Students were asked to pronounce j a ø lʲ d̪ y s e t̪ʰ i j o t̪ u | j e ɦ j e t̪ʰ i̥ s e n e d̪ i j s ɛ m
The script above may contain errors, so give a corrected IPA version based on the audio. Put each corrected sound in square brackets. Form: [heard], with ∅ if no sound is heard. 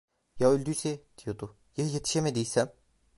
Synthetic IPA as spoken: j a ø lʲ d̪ y s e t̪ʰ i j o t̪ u | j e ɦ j e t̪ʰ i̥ [ʃ] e [m] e d̪ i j s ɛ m